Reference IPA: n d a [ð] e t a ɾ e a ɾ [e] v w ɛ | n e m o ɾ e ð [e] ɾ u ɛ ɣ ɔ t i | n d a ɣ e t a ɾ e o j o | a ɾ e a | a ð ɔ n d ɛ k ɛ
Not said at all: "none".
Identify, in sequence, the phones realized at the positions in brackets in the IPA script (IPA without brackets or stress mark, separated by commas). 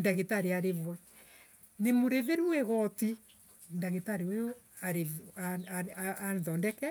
ɣ, e, e